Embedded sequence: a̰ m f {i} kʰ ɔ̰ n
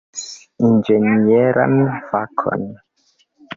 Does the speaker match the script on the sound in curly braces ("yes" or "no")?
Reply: no